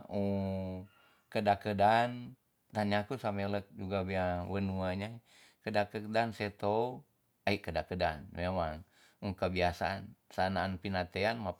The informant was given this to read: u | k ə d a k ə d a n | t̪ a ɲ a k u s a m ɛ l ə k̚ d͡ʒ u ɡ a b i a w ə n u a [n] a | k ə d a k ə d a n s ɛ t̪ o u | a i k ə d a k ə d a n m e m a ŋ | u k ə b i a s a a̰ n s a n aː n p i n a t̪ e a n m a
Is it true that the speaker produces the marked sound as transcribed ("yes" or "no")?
no